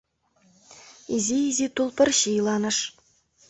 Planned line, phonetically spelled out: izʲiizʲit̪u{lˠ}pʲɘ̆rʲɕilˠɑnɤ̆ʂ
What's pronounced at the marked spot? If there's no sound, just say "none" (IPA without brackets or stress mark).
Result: lˠ